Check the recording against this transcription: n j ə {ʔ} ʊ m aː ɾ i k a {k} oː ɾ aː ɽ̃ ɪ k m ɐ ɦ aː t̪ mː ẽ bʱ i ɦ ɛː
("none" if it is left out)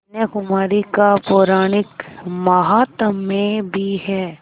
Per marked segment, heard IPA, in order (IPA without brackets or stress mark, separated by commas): k, p